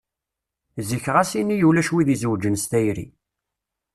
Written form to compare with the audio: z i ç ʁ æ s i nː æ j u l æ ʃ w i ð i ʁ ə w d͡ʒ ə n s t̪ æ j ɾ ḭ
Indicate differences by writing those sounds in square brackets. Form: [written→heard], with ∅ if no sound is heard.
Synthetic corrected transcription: z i ç ʁ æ s i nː [æ→i] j u l æ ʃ w i ð i [ʁ→z] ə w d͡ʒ ə n s t̪ æ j ɾ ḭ